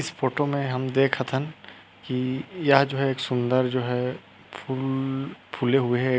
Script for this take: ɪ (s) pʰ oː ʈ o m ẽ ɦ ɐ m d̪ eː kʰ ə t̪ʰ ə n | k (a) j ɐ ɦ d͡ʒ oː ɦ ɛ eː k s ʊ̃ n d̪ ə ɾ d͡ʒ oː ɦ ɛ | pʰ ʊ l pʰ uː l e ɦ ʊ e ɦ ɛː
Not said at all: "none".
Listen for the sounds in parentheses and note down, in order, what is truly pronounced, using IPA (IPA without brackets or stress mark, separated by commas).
s, i